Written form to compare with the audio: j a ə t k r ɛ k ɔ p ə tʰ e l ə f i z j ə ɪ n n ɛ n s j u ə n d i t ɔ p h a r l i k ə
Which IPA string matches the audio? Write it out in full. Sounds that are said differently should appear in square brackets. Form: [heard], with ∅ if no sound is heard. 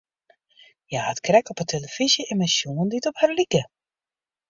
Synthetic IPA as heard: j a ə t k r ɛ k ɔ p ə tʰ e l ə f i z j ə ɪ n [m] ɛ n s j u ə n d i t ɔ p h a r l i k ə